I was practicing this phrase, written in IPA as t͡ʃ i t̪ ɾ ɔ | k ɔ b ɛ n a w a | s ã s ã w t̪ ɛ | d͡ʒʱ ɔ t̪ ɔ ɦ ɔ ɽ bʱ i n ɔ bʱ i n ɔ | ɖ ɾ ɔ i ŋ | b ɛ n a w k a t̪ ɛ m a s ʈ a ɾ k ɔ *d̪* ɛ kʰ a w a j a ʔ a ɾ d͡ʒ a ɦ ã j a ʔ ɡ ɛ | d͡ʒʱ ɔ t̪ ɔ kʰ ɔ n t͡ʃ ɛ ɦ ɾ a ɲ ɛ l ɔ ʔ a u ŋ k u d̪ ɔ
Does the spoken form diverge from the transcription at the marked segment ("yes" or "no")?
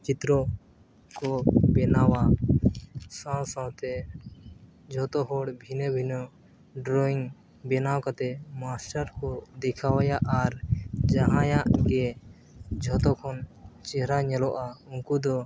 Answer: no